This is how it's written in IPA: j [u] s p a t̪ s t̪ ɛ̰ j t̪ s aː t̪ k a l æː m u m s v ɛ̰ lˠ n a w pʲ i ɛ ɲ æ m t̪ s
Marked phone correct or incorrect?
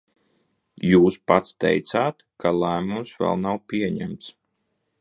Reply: incorrect: uː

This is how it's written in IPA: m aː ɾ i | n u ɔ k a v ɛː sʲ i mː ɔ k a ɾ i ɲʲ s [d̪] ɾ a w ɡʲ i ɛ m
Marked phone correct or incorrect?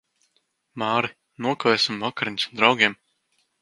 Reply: correct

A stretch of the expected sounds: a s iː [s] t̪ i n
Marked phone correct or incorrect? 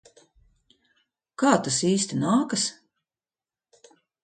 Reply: correct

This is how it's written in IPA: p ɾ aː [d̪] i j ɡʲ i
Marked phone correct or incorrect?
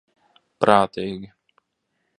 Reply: incorrect: t̪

